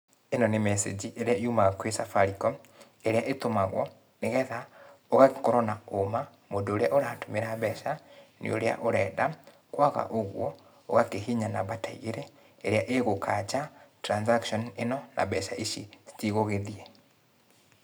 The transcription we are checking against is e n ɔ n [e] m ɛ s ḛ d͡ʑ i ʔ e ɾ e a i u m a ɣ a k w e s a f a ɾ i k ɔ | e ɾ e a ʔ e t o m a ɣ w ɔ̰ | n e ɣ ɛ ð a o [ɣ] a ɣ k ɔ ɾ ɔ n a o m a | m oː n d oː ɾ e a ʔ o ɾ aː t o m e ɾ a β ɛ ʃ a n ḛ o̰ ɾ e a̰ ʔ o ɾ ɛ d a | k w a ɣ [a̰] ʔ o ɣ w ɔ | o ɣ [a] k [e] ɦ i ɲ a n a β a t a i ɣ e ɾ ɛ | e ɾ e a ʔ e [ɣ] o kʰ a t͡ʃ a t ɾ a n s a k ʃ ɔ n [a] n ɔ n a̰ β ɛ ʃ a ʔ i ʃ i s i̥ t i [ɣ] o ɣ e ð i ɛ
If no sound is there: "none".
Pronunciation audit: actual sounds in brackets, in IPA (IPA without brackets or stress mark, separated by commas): e, ɣ, a̰, a, e, ɣ, e, ɣ